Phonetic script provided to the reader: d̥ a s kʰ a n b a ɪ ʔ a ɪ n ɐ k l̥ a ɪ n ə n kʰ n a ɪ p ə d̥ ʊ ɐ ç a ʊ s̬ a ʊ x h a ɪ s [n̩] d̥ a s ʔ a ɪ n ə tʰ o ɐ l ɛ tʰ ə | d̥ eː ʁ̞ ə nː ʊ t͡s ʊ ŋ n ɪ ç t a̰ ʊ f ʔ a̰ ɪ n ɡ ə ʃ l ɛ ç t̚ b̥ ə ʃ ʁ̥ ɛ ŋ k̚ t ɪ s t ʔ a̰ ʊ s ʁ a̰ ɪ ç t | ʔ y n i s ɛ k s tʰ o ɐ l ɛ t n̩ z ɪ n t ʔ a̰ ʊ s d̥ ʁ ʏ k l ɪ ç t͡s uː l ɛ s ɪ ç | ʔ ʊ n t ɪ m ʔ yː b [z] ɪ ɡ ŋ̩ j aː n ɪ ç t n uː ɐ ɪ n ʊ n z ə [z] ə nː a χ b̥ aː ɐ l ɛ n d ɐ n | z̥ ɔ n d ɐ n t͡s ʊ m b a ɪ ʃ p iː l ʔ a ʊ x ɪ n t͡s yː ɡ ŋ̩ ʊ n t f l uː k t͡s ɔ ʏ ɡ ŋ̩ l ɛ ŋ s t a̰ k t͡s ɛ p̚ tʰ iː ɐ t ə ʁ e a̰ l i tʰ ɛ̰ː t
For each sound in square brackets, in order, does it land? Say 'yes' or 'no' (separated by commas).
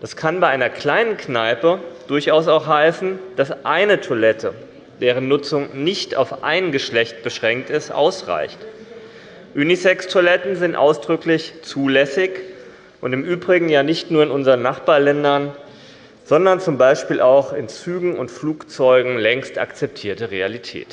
yes, no, no